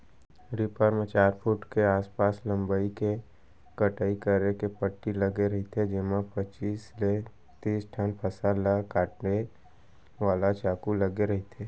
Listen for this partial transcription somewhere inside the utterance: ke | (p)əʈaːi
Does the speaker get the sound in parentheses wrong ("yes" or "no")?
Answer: yes